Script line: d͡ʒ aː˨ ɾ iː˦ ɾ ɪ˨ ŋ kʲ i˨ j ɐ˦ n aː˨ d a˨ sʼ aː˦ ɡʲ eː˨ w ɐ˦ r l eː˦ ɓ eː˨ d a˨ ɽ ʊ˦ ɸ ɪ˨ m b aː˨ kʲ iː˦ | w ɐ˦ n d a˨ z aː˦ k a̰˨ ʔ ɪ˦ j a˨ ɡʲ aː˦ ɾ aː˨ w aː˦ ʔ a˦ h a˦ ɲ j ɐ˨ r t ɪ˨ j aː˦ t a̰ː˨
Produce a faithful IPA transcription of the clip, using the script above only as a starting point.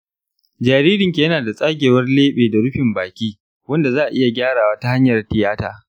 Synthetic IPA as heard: d͡ʒ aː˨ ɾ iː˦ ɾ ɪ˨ ŋ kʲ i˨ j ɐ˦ n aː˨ d a˨ sʼ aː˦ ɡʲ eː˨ w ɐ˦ r l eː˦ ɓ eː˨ d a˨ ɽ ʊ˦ ɸ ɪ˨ m b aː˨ kʲ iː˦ | w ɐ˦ n d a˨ z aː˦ ʔ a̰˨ ʔ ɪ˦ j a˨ ɡʲ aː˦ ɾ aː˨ w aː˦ t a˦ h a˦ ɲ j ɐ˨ r t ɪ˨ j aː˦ t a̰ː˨